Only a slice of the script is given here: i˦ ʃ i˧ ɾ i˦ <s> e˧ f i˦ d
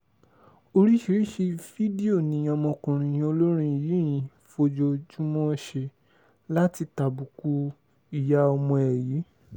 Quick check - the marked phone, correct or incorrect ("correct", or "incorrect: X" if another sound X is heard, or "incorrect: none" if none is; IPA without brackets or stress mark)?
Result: incorrect: ʃ